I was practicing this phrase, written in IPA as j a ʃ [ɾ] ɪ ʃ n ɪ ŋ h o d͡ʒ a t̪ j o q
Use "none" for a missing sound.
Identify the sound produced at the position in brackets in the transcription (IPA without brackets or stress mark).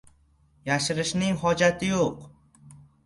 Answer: ɾ